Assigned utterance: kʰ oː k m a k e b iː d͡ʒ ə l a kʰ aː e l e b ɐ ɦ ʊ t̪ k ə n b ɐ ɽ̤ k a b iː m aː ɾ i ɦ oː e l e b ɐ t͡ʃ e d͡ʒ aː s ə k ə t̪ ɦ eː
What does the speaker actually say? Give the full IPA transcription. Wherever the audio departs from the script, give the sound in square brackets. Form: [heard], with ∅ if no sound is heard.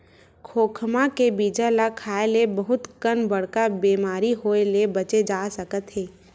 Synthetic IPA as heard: kʰ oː [kʰ] m a k e b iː d͡ʒ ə l a kʰ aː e l e b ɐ ɦ ʊ t̪ k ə n b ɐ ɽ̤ k a b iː m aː ɾ i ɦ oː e l e b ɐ t͡ʃ e d͡ʒ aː s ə k ə t̪ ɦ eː